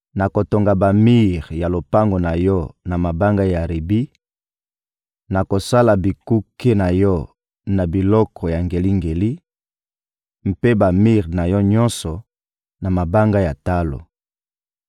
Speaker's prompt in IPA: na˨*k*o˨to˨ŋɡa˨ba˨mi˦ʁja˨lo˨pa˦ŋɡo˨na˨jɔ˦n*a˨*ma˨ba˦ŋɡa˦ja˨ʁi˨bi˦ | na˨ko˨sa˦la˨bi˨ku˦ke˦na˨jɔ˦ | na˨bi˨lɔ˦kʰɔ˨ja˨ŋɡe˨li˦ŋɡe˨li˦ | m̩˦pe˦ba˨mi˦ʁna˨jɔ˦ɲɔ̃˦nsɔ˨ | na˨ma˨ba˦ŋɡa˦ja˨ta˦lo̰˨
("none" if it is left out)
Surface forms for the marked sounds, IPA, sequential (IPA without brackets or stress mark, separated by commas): k, a˨